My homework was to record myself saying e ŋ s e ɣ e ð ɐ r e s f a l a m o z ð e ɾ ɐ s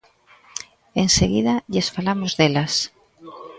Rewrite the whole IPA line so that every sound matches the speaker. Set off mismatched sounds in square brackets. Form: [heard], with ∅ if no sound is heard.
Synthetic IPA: e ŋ s e ɣ [i] ð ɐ [ʎ] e s f a l a m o z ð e [l] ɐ s